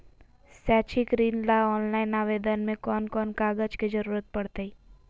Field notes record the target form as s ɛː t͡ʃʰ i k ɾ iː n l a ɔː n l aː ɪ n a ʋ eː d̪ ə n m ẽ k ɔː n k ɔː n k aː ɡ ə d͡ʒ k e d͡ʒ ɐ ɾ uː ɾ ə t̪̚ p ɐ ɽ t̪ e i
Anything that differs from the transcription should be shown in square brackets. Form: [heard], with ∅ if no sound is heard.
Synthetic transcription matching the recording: s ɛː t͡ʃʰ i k ɾ iː n l a ɔː n l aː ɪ n a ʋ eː d̪ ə n m ẽ k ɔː n k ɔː n k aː ɡ ə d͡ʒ k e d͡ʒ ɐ ɾ uː ɾ ə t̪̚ p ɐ ɽ t̪ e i